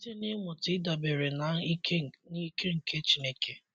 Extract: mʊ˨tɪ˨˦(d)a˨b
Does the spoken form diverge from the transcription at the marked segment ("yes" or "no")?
no